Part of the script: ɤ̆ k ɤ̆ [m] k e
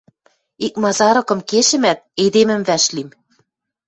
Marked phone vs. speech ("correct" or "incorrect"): correct